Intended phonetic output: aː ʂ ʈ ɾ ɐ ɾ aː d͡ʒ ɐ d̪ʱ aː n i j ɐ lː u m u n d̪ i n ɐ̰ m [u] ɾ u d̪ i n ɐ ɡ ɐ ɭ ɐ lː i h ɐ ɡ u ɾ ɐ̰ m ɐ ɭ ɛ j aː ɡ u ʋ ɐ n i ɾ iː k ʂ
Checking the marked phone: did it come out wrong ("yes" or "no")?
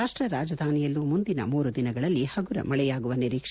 yes